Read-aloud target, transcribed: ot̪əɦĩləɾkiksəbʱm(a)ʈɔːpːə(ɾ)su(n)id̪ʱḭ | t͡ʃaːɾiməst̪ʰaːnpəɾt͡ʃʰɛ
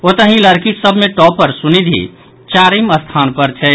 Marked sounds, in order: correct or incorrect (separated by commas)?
incorrect, correct, correct